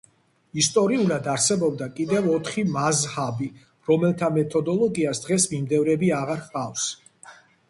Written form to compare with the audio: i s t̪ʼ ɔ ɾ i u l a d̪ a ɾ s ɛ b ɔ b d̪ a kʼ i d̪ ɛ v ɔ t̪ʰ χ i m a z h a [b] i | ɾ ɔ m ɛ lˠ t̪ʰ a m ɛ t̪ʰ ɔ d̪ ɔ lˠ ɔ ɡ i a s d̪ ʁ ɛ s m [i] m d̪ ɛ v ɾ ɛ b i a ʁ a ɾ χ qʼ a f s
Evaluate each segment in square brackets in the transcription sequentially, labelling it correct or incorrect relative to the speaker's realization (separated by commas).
correct, correct